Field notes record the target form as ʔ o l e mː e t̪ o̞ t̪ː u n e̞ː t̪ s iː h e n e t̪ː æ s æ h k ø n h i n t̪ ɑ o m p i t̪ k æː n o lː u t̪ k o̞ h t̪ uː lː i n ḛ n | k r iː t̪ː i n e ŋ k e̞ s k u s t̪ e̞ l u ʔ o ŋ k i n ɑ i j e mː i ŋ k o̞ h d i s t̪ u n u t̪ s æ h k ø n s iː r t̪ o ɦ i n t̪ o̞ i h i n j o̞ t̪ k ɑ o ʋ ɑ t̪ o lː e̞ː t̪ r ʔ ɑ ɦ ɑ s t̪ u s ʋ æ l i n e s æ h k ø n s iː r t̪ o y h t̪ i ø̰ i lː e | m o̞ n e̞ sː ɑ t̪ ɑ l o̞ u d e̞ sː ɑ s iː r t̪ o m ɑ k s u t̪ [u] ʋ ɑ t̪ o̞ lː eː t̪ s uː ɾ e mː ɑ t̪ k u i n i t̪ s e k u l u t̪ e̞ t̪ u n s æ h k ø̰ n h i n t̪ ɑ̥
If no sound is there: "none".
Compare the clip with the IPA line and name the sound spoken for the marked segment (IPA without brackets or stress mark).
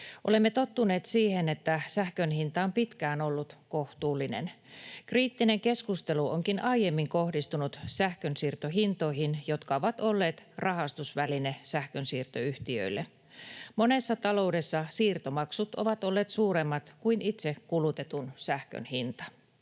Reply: o